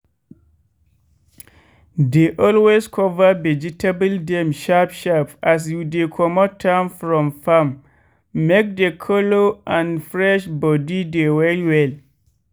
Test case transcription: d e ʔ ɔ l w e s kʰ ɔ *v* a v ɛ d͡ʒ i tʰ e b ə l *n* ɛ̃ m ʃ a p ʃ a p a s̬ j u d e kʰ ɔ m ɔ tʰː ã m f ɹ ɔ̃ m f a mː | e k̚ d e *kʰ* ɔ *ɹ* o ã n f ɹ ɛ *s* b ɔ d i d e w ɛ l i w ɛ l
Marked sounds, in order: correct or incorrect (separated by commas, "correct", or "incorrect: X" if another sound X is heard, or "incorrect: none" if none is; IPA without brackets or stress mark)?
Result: correct, incorrect: d, correct, incorrect: l, incorrect: ʃ